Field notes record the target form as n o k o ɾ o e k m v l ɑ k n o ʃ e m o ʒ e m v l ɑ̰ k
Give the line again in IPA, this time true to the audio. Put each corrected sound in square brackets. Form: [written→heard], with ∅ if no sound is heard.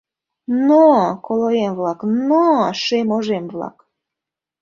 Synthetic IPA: n o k o [ɾ→l] o e [k→∅] m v l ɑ k n o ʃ e m o ʒ e m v l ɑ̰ k